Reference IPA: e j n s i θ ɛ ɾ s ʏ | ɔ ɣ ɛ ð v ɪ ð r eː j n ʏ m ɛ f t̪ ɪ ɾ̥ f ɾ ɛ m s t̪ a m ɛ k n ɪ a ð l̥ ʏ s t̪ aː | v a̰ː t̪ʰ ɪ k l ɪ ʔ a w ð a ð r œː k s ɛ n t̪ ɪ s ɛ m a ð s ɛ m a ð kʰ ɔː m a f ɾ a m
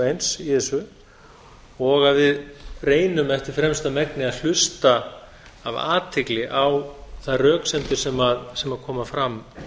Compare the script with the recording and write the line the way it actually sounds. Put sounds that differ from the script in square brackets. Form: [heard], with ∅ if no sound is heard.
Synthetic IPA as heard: e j n s i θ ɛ [∅] s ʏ | ɔ ɣ [a] ð v ɪ ð r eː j n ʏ m ɛ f t̪ ɪ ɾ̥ f ɾ ɛ m s t̪ a m ɛ k n ɪ a ð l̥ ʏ s t̪ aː | v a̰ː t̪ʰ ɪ k l ɪ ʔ a w [θ] a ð r œː k s ɛ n t̪ ɪ s ɛ m a ð s ɛ m a ð kʰ ɔː m a f ɾ a m